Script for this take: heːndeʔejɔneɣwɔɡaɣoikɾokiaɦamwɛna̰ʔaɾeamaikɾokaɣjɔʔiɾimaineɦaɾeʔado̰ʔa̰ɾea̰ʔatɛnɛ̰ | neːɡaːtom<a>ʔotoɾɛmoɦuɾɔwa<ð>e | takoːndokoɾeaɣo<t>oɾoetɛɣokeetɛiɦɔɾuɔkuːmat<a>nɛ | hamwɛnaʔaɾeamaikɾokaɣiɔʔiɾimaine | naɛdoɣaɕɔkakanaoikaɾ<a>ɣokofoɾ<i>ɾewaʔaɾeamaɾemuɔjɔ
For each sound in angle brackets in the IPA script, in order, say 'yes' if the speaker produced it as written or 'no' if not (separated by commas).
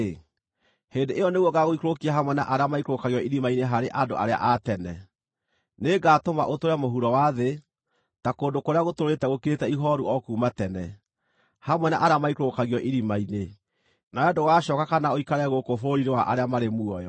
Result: yes, yes, yes, no, no, yes